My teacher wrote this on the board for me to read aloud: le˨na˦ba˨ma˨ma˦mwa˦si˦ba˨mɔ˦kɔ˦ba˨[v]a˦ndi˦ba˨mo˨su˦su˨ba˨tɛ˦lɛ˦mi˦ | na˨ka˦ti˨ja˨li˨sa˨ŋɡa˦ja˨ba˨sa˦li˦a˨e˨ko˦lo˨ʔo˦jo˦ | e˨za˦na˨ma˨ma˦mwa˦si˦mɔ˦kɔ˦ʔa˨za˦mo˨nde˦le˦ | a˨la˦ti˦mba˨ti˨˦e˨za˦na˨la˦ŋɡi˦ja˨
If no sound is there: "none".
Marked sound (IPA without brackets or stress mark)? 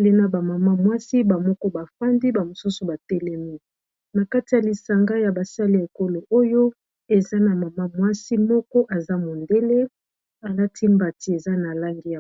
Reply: f